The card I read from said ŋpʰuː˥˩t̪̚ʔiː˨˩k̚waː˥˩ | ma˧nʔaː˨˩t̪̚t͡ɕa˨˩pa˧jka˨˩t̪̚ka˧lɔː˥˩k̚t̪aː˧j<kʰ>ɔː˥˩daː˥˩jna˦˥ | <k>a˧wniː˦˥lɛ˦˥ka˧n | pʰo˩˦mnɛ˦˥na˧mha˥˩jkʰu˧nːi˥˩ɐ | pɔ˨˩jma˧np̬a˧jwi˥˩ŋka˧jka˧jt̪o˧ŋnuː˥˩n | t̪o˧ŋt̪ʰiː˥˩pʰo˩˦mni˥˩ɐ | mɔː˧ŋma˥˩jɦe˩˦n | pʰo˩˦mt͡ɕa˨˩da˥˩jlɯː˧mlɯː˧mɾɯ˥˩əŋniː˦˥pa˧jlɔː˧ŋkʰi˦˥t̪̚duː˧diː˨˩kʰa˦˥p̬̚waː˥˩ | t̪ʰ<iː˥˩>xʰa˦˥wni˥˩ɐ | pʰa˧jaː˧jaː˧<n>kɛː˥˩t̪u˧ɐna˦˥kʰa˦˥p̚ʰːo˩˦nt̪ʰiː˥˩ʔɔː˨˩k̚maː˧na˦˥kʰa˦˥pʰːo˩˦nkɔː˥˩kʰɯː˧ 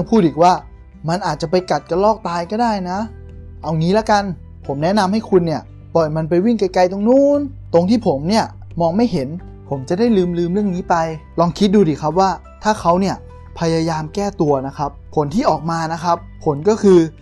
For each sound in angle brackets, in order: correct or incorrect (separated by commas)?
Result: incorrect, incorrect, incorrect, incorrect